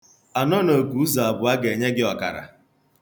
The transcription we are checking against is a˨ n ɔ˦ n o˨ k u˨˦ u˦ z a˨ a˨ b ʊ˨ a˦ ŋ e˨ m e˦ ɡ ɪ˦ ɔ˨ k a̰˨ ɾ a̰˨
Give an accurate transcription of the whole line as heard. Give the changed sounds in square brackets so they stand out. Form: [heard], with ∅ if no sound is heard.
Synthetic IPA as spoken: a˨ n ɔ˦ n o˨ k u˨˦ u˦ z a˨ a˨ b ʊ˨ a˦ [ɡ] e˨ [ɲ] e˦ ɡ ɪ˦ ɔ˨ k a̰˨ ɾ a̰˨